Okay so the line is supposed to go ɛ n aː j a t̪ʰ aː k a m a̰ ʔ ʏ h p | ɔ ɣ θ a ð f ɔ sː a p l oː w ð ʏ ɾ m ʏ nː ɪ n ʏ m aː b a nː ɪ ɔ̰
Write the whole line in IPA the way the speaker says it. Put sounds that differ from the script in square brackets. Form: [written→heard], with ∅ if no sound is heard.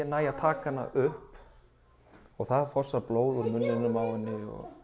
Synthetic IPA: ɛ n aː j a t̪ʰ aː k a [m→n] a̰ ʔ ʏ h p | ɔ ɣ θ a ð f ɔ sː a p l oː w ð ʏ ɾ m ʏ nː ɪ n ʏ m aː [b→w] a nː ɪ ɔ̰